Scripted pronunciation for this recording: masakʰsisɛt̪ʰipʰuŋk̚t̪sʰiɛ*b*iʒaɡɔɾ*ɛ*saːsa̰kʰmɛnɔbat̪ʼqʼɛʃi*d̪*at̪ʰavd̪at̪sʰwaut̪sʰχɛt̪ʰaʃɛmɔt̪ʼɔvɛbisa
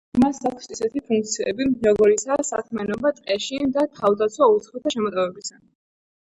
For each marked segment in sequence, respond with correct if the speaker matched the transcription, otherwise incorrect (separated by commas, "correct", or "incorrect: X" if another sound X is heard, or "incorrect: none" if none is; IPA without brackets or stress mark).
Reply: correct, incorrect: i, correct